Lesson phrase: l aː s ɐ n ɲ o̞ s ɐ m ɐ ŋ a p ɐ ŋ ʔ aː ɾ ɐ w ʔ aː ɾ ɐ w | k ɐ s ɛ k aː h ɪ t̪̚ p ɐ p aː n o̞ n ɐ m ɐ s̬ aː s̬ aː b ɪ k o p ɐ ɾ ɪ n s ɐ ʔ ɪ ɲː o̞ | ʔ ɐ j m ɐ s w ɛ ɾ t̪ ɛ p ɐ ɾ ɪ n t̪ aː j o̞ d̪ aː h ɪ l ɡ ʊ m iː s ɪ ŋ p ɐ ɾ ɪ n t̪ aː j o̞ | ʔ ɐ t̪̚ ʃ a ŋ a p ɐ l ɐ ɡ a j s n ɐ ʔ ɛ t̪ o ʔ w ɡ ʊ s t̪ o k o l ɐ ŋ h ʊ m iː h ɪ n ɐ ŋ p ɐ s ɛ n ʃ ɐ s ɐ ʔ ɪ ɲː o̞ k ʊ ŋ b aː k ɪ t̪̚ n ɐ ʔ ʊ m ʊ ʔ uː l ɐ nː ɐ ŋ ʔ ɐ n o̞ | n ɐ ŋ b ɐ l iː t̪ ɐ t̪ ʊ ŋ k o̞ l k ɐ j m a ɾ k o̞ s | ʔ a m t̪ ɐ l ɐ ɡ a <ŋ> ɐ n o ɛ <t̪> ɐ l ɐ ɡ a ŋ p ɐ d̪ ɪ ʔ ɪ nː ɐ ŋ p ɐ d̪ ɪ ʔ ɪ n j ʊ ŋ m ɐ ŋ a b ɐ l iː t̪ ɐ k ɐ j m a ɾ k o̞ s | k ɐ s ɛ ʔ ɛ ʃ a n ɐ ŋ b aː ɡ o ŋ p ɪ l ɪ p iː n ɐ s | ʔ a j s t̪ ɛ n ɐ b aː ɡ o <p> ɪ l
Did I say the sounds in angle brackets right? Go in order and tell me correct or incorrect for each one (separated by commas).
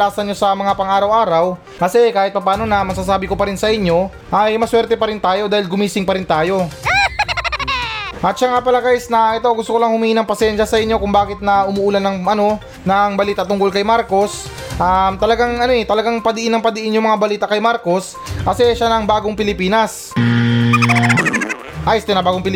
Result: correct, correct, correct